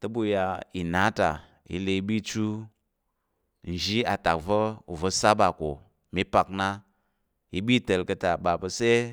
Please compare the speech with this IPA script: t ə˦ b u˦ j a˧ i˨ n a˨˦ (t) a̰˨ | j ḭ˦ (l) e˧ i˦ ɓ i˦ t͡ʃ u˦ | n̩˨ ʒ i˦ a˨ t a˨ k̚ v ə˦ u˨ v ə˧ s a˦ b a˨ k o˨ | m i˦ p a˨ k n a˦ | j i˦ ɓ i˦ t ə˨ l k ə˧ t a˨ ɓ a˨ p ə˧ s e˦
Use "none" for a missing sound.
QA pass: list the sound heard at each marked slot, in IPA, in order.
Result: t, l

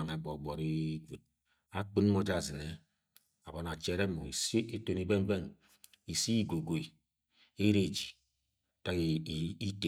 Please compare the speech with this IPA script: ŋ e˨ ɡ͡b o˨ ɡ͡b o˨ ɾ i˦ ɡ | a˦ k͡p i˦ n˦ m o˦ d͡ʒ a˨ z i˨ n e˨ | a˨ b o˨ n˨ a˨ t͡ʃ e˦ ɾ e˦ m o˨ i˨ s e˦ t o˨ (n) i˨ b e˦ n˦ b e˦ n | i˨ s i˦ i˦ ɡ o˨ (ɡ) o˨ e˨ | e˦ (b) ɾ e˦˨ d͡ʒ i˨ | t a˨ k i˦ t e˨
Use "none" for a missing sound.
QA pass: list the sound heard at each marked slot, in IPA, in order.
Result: n, ɡ, none

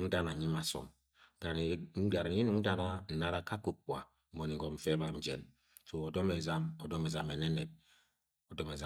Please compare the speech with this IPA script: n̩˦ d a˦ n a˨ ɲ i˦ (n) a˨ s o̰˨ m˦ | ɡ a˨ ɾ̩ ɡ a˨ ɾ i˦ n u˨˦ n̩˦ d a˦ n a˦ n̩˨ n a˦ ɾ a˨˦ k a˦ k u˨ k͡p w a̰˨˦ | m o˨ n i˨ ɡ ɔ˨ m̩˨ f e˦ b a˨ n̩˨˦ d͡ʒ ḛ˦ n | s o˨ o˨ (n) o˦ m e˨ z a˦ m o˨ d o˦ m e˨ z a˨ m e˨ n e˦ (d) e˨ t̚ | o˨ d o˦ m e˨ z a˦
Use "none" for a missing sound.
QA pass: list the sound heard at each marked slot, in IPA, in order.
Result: m, d, n

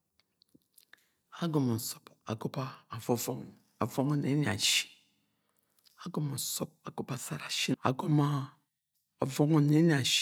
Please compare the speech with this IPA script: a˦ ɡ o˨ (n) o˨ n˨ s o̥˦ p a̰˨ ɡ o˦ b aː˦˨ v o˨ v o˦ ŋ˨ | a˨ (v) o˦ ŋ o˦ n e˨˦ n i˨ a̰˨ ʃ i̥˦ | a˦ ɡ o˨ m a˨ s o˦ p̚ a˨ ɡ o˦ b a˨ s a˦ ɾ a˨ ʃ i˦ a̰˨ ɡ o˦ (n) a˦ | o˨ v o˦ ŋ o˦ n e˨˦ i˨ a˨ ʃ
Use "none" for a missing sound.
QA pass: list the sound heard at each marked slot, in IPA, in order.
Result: m, v, m

